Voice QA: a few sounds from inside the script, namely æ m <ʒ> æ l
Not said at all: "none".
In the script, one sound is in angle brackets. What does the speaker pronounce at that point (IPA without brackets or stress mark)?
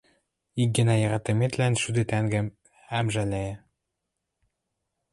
ʒ